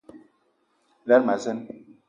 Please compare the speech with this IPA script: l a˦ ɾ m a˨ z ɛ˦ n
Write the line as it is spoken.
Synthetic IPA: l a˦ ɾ m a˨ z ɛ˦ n